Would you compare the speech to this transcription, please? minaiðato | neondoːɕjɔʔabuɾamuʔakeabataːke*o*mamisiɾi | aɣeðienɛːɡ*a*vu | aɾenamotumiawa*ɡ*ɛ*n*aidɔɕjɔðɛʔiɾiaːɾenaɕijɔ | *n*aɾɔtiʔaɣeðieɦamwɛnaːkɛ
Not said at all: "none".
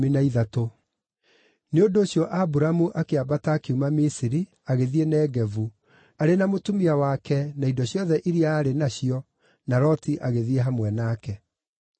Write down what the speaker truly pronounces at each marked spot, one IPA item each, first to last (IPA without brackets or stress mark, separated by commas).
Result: u, ɛ, k, n, n